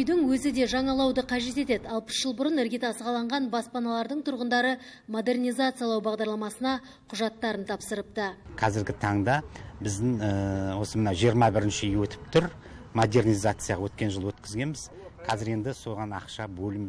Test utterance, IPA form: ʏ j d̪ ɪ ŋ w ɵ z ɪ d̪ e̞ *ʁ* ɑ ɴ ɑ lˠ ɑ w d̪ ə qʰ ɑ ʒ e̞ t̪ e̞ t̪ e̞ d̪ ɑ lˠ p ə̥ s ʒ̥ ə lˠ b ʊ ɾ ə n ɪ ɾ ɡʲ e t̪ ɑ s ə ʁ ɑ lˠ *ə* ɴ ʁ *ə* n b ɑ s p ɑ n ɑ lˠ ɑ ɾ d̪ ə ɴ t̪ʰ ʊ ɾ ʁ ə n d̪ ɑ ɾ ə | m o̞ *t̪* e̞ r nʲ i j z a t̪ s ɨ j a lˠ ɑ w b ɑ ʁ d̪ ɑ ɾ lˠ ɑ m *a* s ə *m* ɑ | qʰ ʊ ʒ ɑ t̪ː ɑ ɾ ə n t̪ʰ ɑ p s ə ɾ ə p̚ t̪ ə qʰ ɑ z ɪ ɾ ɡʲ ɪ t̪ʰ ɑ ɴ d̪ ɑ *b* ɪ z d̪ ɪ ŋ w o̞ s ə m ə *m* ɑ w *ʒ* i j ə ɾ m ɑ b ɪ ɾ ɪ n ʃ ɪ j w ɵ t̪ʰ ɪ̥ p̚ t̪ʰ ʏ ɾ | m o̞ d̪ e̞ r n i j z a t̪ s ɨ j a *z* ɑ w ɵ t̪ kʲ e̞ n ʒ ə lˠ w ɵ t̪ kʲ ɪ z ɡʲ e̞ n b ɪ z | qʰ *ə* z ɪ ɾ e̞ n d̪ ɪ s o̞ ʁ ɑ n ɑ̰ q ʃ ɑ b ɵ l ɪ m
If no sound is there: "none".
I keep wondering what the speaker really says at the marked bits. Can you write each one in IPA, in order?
ʒ, ɑ, ɑ, d̪, ɑ, n, b, n, ʒ, ʁ, ɑ

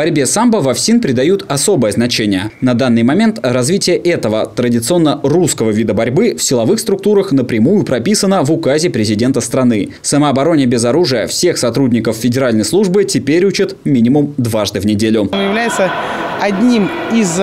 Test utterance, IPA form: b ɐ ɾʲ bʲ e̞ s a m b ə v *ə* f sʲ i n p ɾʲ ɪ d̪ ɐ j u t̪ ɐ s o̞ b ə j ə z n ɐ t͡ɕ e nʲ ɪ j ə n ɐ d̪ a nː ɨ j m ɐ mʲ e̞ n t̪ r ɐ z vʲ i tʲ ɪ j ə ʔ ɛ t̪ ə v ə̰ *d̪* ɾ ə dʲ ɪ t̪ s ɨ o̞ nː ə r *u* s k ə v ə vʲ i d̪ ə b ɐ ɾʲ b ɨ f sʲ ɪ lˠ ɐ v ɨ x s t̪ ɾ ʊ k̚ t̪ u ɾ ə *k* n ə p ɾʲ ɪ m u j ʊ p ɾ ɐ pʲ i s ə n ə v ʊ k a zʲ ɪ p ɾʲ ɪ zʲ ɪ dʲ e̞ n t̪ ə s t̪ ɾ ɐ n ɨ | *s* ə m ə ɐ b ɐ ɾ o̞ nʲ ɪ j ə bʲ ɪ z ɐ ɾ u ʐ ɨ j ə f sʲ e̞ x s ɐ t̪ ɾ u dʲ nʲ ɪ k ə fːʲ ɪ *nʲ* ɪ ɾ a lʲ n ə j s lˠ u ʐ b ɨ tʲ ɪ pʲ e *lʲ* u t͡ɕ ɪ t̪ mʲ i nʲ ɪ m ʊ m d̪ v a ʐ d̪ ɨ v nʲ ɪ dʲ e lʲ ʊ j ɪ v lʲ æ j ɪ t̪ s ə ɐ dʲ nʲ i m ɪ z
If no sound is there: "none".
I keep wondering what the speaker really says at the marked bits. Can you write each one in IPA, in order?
ɐ, t̪, u, x, s, dʲ, ɾʲ

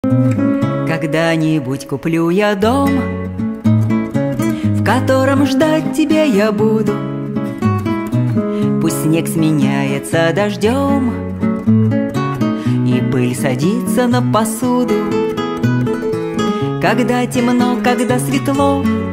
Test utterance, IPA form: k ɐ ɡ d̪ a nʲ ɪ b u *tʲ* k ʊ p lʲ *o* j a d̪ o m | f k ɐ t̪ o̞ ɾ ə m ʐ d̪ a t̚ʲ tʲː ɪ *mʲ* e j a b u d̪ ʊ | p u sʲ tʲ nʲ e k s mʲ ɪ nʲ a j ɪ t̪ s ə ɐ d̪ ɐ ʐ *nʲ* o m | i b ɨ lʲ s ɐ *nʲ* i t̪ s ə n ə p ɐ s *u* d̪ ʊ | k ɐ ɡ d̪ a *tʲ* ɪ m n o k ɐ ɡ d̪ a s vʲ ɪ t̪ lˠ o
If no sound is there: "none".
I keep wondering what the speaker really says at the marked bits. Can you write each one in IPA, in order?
tʲ, u, bʲ, dʲ, dʲ, u, tʲ

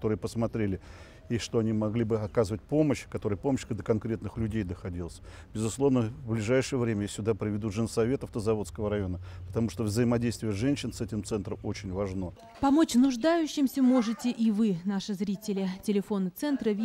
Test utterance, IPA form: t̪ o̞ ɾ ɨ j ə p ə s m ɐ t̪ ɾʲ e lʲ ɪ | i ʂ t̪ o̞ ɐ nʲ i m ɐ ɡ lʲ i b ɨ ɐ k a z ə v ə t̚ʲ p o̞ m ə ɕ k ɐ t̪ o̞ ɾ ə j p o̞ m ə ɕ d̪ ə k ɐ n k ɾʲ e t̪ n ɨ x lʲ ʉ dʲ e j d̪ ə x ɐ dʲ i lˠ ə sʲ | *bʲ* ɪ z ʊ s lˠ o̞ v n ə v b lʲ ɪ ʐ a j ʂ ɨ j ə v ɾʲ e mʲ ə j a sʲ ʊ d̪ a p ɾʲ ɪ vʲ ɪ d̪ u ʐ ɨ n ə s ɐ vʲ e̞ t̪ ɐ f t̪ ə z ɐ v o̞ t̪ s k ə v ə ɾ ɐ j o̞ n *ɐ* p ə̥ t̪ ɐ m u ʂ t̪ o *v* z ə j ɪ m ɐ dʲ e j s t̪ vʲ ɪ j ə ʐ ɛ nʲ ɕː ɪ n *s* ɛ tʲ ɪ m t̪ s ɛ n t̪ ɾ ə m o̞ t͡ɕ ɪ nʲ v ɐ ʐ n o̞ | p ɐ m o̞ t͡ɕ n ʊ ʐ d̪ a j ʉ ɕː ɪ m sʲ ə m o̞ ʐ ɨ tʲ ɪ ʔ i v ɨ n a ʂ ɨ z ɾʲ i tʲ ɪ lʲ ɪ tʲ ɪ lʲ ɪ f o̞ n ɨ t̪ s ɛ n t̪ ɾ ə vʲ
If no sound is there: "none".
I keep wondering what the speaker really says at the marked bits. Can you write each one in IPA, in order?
bʲ, ə, v, s

